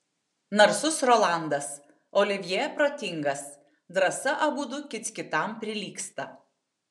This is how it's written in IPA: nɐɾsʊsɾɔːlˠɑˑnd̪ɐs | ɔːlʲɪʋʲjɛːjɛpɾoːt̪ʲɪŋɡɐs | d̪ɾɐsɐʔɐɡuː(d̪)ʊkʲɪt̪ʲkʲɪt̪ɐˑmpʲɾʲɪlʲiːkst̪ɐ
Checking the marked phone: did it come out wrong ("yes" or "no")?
no